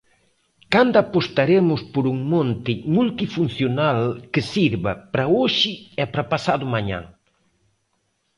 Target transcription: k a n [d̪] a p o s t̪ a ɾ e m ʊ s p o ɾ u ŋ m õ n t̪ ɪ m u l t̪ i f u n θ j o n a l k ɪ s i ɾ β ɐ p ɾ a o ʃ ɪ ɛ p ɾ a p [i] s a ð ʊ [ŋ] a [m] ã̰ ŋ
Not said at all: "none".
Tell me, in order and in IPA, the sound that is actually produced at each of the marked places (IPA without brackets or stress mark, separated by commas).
d̪, a, m, ɲ